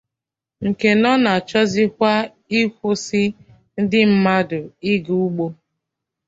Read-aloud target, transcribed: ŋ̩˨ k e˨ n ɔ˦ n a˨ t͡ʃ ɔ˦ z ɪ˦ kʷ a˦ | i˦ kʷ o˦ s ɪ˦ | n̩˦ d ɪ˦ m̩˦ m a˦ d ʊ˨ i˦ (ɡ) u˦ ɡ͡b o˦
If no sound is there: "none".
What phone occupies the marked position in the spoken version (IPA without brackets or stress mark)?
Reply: ɡ